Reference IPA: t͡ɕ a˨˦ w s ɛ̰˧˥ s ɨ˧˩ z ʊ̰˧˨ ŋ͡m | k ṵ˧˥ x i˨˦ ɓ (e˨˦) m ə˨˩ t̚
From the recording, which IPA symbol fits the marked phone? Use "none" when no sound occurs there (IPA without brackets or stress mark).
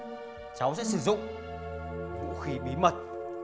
i˨˦